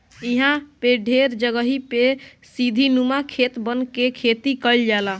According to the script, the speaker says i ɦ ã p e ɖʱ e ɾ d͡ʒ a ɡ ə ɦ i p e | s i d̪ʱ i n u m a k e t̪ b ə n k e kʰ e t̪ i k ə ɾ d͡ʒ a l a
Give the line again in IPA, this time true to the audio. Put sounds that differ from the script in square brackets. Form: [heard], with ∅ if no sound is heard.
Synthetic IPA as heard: i ɦ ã p e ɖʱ e ɾ d͡ʒ [ə] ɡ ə ɦ i p e | s i d̪ʱ i n u m a [kʰ] e t̪ b ə n k e kʰ e t̪ i k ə [l] d͡ʒ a l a